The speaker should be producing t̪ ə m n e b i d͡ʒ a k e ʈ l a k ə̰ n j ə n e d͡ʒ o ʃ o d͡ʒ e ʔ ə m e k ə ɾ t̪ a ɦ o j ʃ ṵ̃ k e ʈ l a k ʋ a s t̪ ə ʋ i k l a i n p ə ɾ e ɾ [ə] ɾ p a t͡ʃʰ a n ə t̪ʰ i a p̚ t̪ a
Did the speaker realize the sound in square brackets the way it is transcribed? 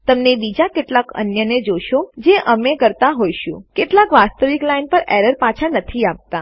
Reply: yes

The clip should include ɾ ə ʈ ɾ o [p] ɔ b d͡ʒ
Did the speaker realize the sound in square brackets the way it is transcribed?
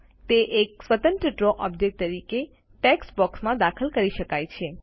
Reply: no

